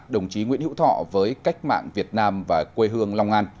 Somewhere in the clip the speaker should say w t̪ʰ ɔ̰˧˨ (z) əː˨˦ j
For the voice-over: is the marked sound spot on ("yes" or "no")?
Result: no